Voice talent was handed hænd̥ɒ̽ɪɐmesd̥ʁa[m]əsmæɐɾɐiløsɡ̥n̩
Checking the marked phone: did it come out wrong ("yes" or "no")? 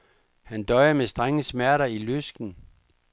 yes